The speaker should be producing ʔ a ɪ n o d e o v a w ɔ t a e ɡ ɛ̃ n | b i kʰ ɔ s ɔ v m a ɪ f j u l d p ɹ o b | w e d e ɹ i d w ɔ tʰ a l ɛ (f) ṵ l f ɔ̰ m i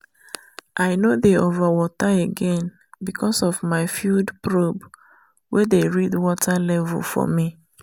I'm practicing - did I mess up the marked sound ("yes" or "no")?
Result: yes